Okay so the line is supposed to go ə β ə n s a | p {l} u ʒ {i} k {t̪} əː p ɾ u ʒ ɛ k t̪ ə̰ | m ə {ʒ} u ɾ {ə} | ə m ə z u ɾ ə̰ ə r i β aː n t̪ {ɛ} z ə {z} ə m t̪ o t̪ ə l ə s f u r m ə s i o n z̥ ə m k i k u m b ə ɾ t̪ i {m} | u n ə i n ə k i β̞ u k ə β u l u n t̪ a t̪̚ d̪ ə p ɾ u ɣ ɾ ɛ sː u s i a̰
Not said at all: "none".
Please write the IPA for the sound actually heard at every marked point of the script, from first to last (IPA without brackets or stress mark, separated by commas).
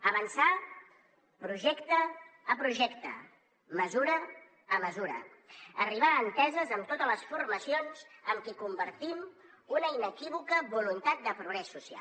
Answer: ɾ, ɛ, t̪, z, ə, ɛ, z, m